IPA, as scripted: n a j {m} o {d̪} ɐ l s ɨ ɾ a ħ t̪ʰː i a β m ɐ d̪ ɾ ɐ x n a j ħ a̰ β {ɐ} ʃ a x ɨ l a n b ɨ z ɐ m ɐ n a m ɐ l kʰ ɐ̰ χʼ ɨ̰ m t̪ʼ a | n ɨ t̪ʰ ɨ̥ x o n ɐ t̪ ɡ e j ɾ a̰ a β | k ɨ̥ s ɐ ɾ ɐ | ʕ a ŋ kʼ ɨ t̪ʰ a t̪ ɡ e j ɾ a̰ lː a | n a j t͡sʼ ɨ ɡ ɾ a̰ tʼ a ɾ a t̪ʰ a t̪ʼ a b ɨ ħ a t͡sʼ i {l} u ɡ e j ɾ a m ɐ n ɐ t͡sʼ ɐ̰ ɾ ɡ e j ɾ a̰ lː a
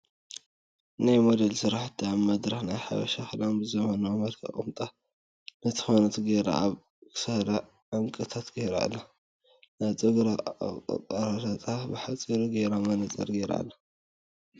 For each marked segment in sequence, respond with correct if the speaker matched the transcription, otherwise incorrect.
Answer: correct, correct, correct, incorrect: ɾ

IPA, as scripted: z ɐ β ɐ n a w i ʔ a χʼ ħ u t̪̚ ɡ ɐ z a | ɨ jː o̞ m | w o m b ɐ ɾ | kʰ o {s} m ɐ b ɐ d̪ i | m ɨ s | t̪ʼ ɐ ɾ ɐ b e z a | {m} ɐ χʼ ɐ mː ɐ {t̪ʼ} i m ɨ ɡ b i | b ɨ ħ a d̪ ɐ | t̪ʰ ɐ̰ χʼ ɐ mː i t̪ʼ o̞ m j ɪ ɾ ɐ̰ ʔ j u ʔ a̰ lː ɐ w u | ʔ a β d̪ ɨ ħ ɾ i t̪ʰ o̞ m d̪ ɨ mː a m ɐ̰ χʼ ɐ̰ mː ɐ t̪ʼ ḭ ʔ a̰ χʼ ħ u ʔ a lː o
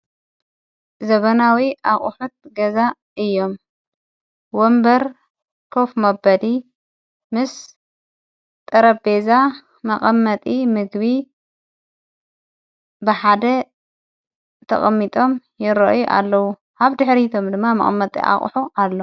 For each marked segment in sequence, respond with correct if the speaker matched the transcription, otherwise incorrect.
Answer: incorrect: f, correct, correct

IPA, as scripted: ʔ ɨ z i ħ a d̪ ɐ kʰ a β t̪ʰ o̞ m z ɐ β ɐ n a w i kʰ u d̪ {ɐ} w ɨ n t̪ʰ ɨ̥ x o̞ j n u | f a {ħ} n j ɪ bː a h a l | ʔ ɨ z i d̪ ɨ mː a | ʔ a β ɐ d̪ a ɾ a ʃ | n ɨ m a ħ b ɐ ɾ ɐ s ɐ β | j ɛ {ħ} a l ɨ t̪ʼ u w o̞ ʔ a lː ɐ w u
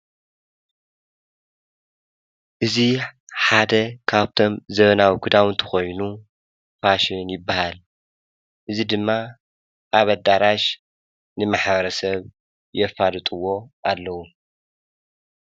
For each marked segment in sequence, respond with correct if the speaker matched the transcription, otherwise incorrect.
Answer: incorrect: a, incorrect: ʃ, incorrect: f

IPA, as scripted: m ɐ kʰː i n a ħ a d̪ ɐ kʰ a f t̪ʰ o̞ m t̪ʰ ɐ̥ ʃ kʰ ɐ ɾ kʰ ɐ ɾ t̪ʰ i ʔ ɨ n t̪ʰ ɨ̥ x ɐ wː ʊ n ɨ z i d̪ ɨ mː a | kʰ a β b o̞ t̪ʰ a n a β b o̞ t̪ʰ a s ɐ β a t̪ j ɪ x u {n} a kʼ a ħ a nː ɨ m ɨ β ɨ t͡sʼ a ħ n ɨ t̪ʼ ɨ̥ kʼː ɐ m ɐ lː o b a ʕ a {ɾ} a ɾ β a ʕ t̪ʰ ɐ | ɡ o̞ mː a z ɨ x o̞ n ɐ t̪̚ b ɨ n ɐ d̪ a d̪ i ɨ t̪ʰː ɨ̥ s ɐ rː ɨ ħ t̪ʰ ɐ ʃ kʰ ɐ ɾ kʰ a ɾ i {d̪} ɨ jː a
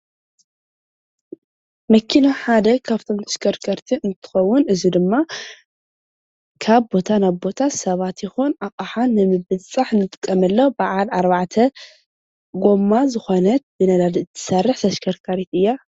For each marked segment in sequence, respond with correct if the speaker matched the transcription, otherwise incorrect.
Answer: correct, incorrect: l, incorrect: t̪

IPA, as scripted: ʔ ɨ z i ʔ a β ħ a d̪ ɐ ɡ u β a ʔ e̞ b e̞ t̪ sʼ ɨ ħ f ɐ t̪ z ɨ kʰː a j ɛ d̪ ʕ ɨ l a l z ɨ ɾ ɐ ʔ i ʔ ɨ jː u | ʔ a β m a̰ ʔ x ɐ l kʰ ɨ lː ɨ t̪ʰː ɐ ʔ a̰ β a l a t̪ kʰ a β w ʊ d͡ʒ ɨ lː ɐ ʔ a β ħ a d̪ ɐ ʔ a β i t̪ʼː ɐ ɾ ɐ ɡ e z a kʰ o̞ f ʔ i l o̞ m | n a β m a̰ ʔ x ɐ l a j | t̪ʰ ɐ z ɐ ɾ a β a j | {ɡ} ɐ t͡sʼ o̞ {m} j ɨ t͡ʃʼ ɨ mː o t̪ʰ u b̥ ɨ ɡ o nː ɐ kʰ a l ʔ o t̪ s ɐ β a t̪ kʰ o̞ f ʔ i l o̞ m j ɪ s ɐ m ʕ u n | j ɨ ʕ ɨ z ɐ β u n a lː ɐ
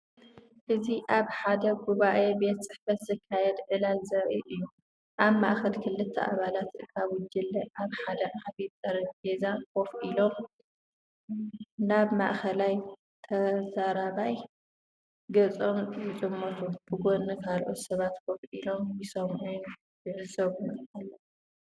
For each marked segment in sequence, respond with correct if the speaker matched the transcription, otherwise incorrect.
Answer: correct, correct

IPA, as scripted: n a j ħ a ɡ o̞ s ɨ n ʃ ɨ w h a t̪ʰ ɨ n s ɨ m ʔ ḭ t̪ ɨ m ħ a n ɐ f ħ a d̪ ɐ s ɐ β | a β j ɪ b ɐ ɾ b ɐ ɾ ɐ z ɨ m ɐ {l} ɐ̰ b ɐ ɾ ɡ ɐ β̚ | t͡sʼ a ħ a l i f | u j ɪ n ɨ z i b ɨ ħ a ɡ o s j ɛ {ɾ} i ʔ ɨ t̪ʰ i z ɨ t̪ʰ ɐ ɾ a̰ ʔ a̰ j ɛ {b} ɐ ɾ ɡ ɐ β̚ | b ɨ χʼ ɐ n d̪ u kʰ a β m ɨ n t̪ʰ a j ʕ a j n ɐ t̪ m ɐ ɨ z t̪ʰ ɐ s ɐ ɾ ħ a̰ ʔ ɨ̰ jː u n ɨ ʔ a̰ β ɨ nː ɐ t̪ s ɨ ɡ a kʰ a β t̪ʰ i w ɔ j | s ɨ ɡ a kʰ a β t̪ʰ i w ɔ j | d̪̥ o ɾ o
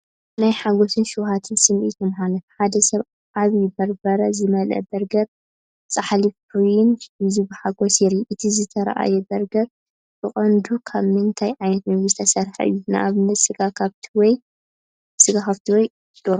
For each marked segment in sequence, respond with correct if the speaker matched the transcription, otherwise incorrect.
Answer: correct, correct, correct

